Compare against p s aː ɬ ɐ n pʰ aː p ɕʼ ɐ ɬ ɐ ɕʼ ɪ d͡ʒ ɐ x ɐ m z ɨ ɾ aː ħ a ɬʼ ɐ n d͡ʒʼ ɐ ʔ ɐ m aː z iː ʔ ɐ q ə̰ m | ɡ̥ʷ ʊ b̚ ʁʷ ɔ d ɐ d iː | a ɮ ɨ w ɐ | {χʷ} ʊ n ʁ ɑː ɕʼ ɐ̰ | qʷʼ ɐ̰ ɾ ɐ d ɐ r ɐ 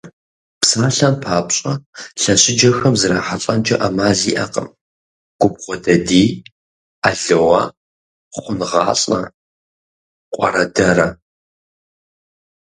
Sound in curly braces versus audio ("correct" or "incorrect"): correct